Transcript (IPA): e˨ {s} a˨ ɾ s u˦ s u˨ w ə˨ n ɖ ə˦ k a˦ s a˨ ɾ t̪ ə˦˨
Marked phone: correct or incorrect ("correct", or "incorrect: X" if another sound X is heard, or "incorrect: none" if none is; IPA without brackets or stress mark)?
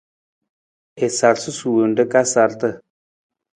correct